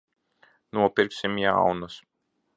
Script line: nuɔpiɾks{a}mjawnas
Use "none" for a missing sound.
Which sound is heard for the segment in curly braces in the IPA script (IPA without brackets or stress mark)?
i